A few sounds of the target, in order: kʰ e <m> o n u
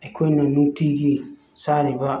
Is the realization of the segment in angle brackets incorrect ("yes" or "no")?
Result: yes